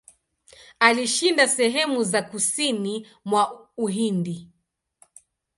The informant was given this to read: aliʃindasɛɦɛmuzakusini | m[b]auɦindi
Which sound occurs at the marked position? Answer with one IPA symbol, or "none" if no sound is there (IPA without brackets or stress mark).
w